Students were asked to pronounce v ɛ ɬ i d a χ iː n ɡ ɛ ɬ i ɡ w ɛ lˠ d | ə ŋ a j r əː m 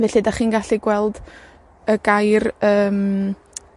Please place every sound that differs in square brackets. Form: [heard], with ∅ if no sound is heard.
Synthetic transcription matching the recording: v ɛ ɬ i d a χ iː n ɡ [a] ɬ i ɡ w ɛ lˠ d | ə [ɡ] a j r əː m

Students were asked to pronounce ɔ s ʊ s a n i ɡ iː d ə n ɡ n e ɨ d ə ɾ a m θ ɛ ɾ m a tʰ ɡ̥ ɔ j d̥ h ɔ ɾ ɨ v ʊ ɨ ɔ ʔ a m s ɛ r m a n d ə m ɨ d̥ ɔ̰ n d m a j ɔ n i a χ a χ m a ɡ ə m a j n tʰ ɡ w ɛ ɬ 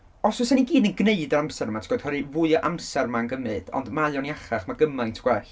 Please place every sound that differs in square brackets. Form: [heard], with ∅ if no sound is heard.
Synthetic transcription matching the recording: ɔ s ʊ s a n i ɡ iː d ə n ɡ n e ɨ d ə ɾ a m [s] ɛ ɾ m a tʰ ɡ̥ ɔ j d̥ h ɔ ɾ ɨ v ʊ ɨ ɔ ʔ a m s ɛ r m a n [ɡ] ə m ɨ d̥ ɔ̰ n d m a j ɔ n i a χ a χ m a ɡ ə m a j n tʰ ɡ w ɛ ɬ

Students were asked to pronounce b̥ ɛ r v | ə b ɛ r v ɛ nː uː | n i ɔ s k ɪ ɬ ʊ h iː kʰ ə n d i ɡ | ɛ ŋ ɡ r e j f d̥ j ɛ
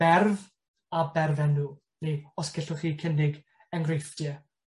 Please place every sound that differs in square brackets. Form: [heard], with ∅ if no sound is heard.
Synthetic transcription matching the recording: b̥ ɛ r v | [a] b ɛ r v ɛ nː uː | n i ɔ s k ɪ ɬ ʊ [χ] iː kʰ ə n d [ɪ] ɡ | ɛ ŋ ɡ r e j f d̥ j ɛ

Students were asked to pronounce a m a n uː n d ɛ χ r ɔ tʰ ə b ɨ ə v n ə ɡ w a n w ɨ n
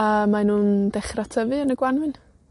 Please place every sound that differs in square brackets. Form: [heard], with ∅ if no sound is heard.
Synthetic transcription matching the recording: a m a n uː n d ɛ χ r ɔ tʰ ə [v] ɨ ə [∅] n ə ɡ w a n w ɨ n

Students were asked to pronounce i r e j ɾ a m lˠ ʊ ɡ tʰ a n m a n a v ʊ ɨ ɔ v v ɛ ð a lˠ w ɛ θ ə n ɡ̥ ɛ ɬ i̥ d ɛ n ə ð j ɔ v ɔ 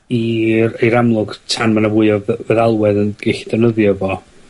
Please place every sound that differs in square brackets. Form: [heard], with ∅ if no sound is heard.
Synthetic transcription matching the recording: i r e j ɾ a m lˠ ʊ ɡ tʰ a n m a n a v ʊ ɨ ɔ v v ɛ ð a lˠ w ɛ [ð] ə n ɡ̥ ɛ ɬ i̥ d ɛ n ə ð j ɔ v ɔ

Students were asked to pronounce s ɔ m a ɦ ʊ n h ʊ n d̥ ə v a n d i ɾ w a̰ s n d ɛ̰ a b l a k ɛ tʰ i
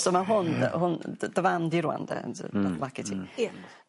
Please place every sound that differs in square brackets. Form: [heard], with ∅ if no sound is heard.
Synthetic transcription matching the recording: s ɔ m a ɦ ʊ n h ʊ n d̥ ə v a n d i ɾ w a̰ [∅] n d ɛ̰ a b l a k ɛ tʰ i

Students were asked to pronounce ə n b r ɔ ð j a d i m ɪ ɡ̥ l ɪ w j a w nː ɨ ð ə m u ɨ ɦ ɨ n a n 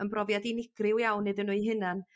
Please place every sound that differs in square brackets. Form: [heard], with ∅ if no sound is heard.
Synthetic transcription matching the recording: ə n b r ɔ [v] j a d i [n] ɪ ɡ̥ [r] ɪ w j a w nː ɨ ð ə [n] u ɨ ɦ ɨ n a n

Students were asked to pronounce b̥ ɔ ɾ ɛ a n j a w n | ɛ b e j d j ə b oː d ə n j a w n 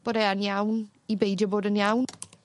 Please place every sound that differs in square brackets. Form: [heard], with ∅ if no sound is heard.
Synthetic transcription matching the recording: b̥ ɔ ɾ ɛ a n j a w n | [i] b e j d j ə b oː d ə n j a w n

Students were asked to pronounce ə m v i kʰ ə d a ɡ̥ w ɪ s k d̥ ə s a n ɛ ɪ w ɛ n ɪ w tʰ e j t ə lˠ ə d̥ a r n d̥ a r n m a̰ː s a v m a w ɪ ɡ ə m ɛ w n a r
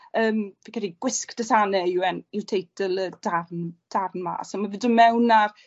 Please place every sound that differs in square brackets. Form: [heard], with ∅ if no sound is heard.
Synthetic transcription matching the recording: [əː] m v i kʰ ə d [i] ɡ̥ w ɪ s k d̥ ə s a n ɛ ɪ w ɛ n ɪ w tʰ e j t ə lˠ ə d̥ a r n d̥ a r n m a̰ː s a [∅] m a [v] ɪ [d] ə m ɛ w n a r

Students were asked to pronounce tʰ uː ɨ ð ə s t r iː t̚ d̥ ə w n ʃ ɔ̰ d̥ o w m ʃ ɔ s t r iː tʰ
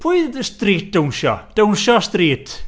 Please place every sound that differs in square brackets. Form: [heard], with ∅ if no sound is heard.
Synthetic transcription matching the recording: [pʰ] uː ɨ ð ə s t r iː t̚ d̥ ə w n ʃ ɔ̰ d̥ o w [n] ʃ ɔ s t r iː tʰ

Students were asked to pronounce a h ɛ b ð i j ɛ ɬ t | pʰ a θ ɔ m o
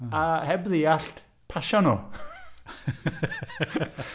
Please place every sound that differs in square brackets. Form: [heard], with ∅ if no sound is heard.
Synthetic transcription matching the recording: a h ɛ b ð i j [a] ɬ t | pʰ a [ʃ] ɔ [n] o

